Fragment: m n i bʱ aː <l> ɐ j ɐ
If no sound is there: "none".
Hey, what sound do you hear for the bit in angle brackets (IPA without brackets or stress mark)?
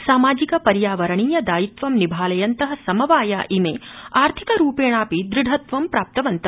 l